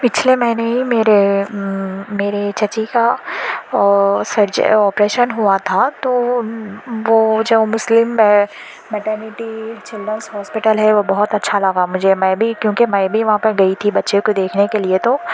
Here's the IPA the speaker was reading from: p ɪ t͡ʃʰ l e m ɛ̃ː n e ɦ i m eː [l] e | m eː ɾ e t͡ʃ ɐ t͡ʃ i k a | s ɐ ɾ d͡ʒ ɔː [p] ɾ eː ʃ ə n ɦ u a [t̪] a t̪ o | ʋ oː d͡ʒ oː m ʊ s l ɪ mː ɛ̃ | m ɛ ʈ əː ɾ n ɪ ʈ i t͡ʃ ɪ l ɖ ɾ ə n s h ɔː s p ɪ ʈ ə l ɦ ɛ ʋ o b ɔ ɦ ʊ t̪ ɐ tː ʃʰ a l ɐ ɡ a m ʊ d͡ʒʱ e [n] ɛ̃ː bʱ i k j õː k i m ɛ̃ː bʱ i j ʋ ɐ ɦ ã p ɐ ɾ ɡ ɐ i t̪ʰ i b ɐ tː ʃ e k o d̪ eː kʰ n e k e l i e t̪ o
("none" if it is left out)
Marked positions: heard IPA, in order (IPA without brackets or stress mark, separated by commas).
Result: ɾ, p, t̪ʰ, m